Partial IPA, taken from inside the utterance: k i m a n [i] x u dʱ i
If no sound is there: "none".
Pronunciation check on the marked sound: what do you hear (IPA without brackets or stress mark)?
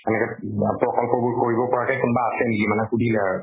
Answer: ɛ